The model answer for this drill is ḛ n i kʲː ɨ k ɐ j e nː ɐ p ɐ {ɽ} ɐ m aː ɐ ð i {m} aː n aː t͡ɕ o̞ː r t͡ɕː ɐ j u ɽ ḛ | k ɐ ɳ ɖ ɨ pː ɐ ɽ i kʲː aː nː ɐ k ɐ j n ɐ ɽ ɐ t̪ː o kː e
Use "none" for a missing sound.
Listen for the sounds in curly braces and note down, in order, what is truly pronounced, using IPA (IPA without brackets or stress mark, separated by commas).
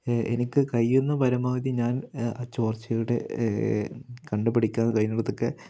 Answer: ɾ, ɲ